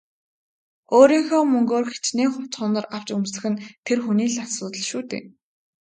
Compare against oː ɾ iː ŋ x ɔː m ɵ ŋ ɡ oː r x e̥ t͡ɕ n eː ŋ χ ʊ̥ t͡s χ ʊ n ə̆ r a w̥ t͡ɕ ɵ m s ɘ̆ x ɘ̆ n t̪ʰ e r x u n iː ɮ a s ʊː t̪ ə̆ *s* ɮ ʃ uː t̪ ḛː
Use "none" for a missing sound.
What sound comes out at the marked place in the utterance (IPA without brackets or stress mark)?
none